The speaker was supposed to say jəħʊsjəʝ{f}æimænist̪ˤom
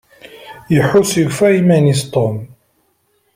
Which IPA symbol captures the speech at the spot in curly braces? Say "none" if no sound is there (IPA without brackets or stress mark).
f